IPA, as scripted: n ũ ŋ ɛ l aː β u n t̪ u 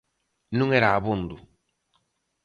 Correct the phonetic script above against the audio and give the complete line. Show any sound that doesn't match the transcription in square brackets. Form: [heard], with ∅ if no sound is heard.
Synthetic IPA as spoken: n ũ ŋ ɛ [ɾ] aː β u n [d̪] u